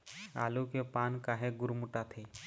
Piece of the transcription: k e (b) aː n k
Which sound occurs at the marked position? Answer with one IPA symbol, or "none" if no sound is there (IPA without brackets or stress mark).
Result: p